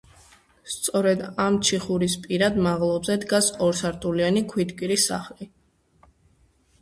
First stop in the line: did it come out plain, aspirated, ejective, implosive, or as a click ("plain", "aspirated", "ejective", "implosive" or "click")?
plain